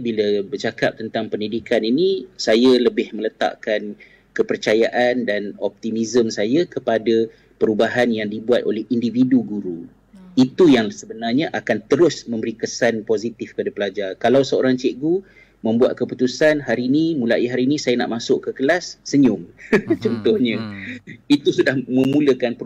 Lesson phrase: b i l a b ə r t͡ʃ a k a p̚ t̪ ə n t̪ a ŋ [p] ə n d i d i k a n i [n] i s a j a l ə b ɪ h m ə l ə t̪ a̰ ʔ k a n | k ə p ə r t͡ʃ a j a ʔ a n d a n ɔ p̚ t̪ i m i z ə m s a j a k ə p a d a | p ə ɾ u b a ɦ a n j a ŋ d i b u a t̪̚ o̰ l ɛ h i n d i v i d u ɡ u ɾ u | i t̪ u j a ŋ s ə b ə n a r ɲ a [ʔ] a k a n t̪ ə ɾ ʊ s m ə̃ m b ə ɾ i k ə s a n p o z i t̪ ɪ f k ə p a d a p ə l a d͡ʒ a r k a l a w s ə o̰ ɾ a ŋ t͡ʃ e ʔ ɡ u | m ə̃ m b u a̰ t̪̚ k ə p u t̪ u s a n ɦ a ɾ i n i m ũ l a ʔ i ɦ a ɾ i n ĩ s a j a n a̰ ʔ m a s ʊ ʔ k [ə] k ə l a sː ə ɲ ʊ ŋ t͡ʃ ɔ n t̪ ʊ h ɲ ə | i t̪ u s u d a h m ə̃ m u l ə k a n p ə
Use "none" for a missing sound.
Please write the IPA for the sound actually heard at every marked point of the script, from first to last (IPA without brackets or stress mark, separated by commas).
p, n, ʔ, ə